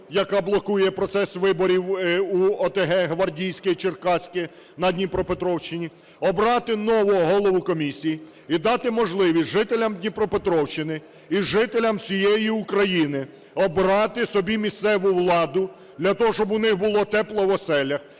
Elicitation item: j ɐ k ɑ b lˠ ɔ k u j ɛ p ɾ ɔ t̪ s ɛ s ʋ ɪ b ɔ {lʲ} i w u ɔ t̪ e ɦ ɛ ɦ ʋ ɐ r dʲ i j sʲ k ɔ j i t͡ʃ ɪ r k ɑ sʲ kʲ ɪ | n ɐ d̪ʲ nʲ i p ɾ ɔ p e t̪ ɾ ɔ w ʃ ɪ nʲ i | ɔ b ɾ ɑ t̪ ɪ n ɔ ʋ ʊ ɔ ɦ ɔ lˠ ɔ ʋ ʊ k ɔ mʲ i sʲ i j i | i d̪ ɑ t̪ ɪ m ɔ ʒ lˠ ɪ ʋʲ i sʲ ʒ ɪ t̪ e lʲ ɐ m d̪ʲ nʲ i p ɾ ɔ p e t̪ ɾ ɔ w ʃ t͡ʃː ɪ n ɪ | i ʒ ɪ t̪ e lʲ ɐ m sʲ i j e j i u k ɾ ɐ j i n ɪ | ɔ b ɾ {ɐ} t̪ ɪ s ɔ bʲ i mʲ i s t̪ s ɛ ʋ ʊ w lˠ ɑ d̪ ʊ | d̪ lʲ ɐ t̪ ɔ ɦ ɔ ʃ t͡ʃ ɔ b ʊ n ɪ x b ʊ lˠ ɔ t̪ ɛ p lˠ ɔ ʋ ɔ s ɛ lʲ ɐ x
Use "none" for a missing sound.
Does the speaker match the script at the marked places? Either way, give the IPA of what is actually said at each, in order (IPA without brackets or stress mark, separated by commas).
ɾʲ, ɑ